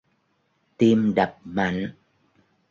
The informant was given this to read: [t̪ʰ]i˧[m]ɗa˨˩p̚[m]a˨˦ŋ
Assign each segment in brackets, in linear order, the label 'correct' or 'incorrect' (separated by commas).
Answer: incorrect, correct, correct